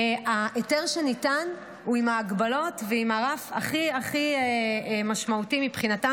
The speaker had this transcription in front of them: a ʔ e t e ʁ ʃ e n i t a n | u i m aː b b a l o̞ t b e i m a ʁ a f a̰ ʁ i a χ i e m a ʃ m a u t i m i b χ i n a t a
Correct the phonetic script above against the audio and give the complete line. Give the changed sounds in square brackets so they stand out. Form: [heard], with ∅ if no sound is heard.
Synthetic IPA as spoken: a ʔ e t e ʁ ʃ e n i t a n | u i m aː [ɡ] b a l o̞ t [v] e i m a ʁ a f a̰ [χ] i a χ i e m a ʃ m a u t i m i [p] χ i n a t a